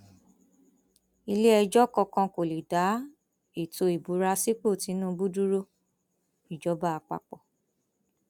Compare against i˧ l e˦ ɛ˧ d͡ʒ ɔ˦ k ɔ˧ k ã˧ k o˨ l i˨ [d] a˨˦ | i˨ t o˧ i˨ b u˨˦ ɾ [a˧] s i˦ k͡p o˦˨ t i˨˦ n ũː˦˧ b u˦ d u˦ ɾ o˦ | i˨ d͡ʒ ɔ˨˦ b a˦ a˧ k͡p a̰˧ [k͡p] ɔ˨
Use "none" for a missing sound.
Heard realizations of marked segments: d, a˧, k͡p

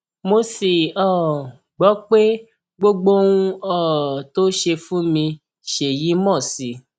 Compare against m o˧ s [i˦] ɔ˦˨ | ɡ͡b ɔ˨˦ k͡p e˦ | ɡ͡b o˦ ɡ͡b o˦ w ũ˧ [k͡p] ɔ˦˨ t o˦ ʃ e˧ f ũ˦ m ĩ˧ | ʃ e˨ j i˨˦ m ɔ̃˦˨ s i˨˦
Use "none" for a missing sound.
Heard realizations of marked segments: i˨, none

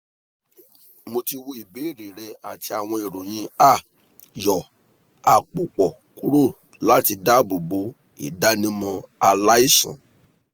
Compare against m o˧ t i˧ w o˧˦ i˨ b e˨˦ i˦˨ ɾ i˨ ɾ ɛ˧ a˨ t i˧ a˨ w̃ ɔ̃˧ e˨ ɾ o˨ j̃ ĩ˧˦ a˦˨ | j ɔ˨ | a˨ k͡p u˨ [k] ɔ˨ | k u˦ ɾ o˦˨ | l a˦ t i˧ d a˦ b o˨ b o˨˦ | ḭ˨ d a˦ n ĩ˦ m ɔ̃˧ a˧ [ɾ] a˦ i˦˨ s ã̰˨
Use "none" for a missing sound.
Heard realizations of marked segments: k͡p, l

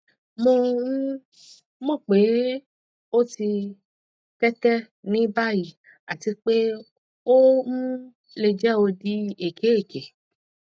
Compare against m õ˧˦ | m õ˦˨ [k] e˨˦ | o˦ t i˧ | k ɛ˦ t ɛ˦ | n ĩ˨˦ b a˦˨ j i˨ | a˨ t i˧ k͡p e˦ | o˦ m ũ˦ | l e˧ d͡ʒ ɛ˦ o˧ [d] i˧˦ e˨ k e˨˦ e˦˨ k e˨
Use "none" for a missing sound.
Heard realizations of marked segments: k͡p, d

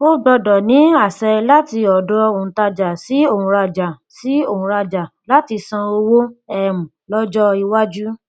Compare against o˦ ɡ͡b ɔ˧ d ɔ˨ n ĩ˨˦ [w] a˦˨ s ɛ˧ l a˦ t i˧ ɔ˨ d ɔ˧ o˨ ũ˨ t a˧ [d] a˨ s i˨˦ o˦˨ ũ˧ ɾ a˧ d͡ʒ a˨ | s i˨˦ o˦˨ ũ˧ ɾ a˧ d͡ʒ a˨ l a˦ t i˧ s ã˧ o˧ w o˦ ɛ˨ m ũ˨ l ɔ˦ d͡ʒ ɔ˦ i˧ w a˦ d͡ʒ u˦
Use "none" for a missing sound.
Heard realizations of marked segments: none, d͡ʒ

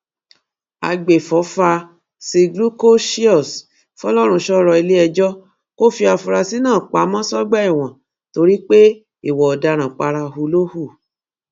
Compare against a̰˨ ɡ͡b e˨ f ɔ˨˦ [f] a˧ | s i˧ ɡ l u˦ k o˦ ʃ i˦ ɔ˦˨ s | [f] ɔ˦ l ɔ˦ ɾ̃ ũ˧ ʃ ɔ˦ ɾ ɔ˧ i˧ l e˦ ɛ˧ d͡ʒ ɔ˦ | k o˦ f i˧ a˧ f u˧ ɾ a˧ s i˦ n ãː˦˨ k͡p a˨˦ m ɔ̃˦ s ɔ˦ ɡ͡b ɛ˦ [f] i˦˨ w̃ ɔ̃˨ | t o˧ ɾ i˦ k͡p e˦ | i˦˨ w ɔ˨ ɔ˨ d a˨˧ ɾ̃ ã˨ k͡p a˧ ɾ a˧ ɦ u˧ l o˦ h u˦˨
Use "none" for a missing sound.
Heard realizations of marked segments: f, f, none

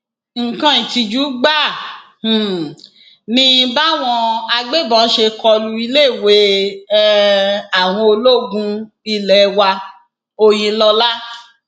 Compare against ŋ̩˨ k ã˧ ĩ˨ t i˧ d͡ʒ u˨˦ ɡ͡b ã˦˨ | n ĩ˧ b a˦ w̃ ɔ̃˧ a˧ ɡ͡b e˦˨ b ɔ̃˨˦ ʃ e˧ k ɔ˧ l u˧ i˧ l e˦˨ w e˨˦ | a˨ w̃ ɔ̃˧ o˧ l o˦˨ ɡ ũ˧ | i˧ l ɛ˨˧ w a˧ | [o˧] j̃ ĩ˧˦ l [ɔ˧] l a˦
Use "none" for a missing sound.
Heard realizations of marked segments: o˧, ɔ˧

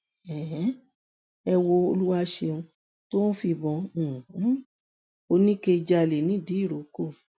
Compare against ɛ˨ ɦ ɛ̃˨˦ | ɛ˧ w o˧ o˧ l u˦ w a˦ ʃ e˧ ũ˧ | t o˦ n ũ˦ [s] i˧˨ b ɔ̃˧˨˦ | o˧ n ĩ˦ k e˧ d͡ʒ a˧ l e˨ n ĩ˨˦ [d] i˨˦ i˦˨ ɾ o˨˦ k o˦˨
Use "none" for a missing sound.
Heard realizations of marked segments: f, d

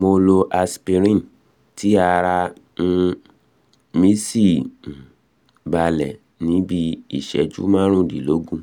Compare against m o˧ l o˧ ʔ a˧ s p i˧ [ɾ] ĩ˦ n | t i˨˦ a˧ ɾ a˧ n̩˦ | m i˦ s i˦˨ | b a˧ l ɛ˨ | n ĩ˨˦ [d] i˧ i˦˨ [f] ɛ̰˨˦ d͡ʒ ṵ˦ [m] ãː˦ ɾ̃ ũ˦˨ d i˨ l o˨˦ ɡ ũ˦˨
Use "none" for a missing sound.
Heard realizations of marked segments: ɾ, b, ʃ, m

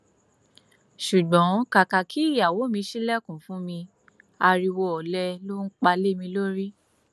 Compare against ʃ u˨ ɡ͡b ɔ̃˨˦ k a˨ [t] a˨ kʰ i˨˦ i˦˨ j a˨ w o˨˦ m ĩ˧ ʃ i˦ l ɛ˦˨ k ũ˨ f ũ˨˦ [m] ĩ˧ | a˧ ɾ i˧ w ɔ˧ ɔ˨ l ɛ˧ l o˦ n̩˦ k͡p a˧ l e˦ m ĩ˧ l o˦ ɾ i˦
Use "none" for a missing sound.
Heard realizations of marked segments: k, m

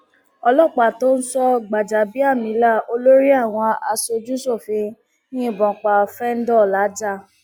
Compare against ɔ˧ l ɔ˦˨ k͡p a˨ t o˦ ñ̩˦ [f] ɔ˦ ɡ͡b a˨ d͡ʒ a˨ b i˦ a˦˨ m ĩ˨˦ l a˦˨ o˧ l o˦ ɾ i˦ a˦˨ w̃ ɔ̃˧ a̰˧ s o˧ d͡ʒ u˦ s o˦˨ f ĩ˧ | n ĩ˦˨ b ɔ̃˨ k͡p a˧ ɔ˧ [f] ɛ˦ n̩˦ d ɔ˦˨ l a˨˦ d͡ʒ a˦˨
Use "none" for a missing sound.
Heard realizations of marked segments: s, f

